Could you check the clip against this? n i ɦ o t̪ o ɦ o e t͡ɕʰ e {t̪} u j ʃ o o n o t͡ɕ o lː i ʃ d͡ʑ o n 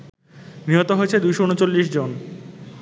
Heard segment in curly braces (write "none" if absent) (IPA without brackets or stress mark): d̪